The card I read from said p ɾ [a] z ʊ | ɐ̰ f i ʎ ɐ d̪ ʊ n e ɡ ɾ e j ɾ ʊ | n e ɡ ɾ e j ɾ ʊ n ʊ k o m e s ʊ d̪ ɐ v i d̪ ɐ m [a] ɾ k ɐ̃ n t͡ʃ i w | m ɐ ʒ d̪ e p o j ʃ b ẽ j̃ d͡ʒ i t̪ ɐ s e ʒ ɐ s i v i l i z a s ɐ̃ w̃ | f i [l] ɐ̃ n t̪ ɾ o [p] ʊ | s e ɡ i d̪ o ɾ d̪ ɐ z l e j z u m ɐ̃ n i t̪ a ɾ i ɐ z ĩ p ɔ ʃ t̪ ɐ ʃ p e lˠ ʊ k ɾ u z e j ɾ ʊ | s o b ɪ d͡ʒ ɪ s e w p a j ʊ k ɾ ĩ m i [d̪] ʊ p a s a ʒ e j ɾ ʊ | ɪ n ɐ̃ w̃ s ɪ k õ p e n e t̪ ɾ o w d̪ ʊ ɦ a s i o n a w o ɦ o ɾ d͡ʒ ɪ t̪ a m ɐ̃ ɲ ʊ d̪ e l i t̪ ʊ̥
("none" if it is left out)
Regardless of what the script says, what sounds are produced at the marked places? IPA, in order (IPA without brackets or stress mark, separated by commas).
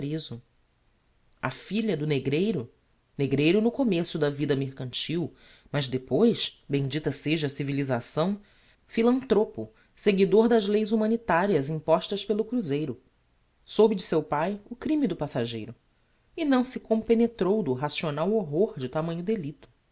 e, e, l, p, d̪